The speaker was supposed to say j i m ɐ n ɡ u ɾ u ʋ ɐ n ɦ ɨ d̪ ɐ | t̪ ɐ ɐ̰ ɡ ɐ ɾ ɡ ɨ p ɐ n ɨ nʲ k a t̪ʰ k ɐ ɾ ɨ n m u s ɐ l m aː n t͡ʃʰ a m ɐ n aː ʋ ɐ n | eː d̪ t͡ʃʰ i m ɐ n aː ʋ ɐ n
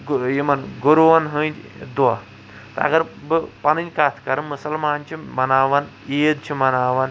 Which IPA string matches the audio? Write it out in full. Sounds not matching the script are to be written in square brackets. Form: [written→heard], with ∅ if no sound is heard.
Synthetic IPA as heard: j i m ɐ n ɡ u ɾ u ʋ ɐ n ɦ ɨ d̪ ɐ | t̪ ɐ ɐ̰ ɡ ɐ ɾ [ɡ→b] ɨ p ɐ n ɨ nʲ k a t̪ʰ k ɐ ɾ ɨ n m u s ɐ l m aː n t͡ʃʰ [a→i] m ɐ n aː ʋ ɐ n | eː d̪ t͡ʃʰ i m ɐ n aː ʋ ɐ n